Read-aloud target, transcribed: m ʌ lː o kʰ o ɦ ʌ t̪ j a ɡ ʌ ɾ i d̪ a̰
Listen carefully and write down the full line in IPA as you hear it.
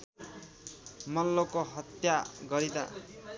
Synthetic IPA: m ʌ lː o k o ɦ ʌ t̪ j a ɡ ʌ ɾ i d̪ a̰